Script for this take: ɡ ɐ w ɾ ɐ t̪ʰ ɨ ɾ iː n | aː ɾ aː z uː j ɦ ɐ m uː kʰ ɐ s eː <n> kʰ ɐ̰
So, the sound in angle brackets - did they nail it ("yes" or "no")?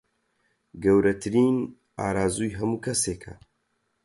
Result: no